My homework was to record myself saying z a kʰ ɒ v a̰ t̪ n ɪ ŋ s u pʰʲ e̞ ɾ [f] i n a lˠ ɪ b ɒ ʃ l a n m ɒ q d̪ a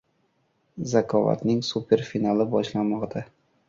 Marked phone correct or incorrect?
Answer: correct